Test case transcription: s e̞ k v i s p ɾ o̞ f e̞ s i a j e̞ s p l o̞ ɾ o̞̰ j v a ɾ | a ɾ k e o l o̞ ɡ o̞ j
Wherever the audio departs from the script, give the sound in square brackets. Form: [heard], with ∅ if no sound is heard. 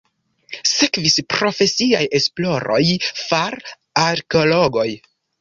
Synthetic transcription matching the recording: s e̞ k v i s p ɾ o̞ f e̞ s i a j e̞ s p l o̞ ɾ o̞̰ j [f] a ɾ | a ɾ k e o l o̞ ɡ o̞ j